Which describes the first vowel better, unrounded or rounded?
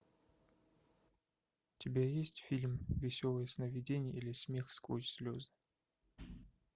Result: unrounded